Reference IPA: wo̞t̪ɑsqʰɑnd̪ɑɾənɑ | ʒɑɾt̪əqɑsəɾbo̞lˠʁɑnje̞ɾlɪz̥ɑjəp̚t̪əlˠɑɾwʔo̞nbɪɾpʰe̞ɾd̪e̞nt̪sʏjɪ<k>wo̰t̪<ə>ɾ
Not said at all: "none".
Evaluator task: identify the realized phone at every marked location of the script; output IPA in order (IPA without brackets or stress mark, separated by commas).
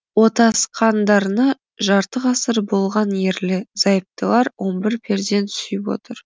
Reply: p, ə